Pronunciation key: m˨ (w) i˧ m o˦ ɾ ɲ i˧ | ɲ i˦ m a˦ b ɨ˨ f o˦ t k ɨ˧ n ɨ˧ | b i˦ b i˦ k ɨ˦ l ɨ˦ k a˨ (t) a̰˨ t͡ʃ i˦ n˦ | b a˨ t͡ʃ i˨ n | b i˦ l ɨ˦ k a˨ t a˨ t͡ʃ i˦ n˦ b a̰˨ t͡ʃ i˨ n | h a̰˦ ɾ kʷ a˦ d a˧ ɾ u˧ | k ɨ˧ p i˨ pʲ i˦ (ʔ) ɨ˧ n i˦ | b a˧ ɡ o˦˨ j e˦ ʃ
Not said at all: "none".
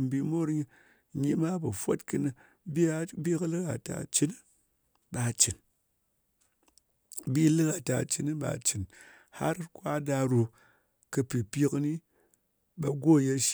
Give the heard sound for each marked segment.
b, t, k

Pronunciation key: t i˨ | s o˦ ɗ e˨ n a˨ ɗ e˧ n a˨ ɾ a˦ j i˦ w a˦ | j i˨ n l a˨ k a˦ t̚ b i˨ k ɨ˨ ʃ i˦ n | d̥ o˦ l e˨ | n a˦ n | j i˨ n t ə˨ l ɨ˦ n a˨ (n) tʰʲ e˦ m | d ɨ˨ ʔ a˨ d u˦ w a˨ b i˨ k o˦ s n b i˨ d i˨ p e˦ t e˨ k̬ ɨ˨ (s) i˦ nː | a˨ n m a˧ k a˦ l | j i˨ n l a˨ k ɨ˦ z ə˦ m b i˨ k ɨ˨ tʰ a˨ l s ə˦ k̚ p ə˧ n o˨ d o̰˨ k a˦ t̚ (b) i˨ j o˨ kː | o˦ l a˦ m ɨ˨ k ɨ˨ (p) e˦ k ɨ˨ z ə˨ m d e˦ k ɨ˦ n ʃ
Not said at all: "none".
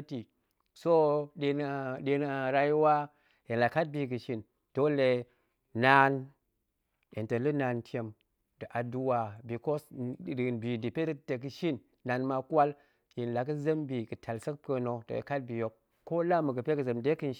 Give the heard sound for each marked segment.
n, ʃ, b, p

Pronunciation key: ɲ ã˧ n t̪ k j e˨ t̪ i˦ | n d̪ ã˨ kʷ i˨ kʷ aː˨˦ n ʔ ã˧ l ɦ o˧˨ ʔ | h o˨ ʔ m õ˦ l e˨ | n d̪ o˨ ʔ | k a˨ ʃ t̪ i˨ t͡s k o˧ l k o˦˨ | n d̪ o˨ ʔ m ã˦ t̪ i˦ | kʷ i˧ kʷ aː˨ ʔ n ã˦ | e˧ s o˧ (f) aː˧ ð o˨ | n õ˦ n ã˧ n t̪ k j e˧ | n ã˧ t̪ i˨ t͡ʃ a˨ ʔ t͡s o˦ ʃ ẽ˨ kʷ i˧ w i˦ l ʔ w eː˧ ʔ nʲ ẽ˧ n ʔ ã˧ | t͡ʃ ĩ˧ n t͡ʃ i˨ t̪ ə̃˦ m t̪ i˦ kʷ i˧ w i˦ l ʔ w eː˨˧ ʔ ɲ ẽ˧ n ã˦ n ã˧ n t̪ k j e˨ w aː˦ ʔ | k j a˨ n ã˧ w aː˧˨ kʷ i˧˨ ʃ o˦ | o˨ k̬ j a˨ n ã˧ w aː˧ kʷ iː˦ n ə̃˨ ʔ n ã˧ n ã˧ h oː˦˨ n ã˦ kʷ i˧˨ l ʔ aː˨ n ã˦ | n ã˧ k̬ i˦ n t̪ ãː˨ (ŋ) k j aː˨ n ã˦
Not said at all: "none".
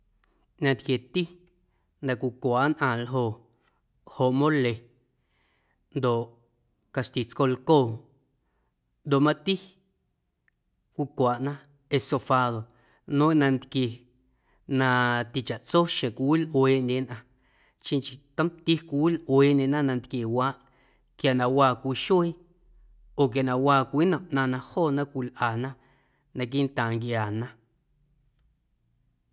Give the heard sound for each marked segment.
f, ŋ

